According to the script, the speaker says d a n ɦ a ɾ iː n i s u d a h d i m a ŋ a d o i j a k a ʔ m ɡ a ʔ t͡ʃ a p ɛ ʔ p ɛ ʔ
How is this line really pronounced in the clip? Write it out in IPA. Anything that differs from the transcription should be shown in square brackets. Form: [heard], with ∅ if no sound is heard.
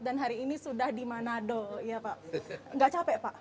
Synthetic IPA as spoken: d a n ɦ a ɾ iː n i s u d a h d i m a [n] a d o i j a [p] a ʔ [ŋ] ɡ a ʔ t͡ʃ a p ɛ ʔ p [a] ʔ